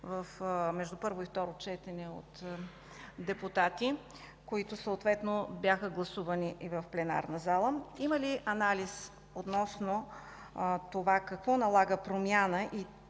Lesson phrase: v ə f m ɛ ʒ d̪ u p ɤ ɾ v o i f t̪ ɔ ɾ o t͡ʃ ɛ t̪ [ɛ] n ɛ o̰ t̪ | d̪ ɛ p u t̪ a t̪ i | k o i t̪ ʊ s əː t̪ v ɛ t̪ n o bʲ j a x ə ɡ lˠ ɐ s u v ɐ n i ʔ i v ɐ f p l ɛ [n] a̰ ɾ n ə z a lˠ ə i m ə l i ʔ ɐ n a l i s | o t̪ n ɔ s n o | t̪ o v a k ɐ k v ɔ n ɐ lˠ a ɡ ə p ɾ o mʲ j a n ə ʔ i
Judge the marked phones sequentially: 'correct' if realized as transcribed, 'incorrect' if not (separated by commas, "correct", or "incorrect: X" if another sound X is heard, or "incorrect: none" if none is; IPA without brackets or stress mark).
correct, correct